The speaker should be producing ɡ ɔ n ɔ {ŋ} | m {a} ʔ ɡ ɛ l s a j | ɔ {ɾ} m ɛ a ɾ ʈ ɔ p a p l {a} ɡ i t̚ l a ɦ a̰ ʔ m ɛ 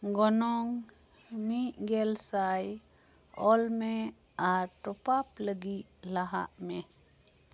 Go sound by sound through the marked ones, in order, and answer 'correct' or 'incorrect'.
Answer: correct, incorrect, incorrect, incorrect

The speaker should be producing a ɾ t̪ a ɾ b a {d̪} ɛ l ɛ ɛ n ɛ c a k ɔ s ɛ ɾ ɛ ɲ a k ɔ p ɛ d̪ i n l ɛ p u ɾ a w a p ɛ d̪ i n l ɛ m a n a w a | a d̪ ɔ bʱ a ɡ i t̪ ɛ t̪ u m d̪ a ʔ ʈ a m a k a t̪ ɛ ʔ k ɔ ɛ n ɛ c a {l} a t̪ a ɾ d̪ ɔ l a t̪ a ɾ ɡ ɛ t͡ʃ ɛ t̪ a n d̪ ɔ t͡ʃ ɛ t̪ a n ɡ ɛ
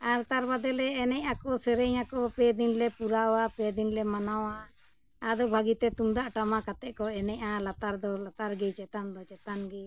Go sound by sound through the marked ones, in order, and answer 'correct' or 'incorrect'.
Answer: correct, correct

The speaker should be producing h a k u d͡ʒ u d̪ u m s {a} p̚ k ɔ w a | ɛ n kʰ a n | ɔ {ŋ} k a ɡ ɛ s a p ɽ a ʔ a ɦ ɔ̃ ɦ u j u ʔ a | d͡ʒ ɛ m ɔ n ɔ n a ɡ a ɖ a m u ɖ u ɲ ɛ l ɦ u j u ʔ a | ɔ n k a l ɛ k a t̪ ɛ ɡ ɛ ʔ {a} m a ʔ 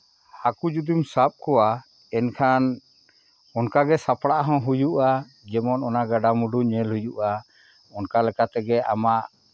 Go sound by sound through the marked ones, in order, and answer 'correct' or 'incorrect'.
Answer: correct, incorrect, correct

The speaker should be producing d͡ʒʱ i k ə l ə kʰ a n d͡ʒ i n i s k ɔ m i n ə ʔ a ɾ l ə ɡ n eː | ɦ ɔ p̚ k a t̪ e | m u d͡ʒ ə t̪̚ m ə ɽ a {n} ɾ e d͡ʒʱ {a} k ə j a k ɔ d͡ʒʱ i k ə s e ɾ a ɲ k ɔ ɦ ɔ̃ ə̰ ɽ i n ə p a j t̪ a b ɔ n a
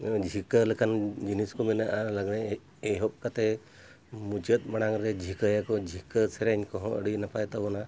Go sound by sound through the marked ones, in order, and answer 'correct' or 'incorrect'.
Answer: incorrect, incorrect

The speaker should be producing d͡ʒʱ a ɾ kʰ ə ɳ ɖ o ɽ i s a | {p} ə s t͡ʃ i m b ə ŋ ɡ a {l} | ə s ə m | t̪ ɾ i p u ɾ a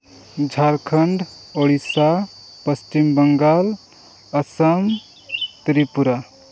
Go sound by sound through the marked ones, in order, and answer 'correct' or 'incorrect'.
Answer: correct, correct

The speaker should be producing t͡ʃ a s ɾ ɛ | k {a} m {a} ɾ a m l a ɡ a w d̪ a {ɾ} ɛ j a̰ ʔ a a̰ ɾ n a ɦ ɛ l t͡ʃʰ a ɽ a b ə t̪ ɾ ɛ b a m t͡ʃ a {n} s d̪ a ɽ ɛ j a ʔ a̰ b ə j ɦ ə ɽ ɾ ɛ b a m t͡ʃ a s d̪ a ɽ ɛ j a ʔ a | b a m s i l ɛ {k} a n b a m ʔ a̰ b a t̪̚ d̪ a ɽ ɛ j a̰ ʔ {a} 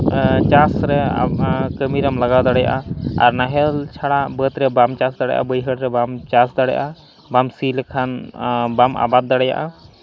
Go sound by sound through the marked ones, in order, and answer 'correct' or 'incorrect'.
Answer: incorrect, incorrect, incorrect, incorrect, incorrect, correct

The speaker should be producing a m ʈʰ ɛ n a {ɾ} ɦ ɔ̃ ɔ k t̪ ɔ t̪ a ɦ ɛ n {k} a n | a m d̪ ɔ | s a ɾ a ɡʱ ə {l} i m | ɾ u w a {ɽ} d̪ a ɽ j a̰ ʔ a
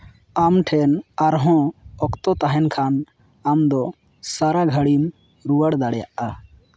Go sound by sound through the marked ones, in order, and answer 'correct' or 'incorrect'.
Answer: correct, incorrect, incorrect, correct

